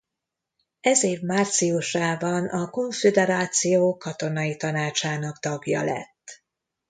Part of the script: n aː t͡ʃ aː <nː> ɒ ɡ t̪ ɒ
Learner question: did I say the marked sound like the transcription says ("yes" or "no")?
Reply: no